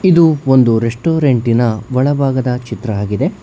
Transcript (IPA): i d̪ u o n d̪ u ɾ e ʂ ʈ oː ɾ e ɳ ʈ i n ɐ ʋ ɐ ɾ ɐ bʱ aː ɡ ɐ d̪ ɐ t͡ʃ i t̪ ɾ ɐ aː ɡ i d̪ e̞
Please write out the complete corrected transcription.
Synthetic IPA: i d̪ u o n d̪ u ɾ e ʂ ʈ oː ɾ e ɳ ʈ i n ɐ ʋ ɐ ɭ ɐ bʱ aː ɡ ɐ d̪ ɐ t͡ʃ i t̪ ɾ ɐ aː ɡ i d̪ e̞